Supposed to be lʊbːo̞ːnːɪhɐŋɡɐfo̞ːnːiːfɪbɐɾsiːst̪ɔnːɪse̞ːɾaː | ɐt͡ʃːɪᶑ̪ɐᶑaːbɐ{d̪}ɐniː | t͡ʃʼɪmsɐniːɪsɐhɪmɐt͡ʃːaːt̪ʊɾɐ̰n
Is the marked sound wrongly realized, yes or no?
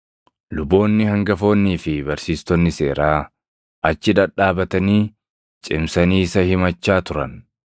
yes